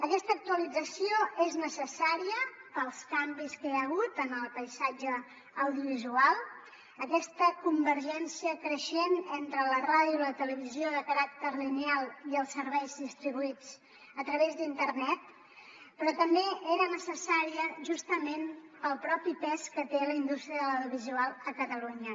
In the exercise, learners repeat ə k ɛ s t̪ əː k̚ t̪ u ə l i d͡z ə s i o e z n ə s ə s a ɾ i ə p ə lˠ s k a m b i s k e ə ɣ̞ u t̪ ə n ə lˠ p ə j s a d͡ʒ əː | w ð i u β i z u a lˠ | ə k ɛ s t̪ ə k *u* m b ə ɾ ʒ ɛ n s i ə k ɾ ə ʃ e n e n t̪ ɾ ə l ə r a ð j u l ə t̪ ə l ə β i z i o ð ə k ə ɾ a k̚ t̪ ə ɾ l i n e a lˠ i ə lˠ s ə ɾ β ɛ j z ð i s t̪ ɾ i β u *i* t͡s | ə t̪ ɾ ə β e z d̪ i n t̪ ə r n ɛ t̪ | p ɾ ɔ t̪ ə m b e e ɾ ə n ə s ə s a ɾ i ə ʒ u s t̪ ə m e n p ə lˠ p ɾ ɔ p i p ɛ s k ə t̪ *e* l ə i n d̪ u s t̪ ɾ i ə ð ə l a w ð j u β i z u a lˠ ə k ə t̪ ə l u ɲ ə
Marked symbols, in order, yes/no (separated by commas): yes, yes, yes